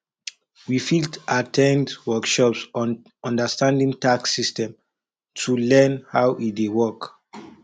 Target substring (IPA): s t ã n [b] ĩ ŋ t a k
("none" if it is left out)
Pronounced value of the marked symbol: d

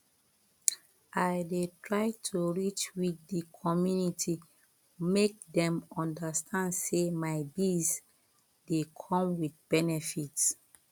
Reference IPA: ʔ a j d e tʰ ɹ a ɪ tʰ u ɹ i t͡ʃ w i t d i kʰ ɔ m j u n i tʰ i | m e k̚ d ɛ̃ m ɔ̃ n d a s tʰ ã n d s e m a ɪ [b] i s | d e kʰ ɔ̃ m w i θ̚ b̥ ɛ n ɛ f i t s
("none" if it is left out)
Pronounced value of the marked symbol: b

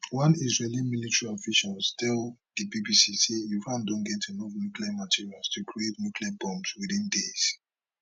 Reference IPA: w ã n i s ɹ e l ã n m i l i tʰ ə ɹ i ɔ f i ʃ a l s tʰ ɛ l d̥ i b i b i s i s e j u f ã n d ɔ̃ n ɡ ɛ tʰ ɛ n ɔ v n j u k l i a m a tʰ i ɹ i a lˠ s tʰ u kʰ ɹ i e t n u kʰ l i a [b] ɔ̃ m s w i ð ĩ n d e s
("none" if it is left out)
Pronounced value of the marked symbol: b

